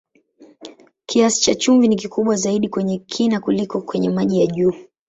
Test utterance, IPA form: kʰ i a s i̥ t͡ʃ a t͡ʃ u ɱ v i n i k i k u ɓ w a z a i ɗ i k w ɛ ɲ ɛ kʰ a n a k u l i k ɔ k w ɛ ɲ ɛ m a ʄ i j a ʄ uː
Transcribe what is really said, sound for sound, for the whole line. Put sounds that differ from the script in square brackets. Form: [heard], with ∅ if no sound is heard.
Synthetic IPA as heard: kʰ i a s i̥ t͡ʃ a t͡ʃ u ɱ v i n i k i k u ɓ w a z a i ɗ i k w ɛ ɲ ɛ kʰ [i] n a k u l i k ɔ k w ɛ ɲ ɛ m a ʄ i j a ʄ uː